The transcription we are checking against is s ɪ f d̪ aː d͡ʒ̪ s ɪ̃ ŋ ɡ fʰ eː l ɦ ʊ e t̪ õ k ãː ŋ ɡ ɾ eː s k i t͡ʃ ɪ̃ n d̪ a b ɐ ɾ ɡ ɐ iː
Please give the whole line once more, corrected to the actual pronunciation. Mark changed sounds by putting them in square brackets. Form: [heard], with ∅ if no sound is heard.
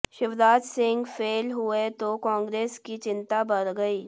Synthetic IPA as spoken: [ʃ] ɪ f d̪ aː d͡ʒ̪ s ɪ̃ ŋ ɡ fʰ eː l ɦ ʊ e t̪ [o] k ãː ŋ ɡ ɾ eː s k i t͡ʃ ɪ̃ n [t̪] a b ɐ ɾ ɡ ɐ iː